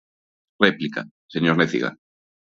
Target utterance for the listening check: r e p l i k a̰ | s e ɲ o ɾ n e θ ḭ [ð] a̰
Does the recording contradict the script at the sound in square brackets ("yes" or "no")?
yes